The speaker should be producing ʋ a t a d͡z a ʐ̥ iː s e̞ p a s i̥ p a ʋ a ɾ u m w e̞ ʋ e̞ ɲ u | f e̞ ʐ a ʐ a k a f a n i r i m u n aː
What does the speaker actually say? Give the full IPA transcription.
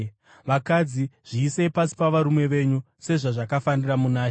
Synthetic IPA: ʋ a k a d͡z i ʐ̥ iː s e̞ p a s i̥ p a ʋ a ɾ u m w e̞ ʋ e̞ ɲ u | s e̞ ʐ a ʐ a k a f a n i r a m u n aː